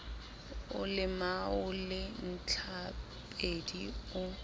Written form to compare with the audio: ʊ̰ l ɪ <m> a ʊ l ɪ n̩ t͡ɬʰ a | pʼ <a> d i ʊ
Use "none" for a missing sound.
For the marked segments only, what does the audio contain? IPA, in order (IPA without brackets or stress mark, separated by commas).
m, e